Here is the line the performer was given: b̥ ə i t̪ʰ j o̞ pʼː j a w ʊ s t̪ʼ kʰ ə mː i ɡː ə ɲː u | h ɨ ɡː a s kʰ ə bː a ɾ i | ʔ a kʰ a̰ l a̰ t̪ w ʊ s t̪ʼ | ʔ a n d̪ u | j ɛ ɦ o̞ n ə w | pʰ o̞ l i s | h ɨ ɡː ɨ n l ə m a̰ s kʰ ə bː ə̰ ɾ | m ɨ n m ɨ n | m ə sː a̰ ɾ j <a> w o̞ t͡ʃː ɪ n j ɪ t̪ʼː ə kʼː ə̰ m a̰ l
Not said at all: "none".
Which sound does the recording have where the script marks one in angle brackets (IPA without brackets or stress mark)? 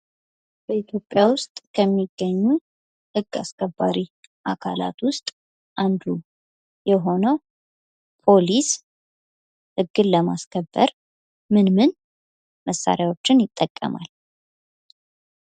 a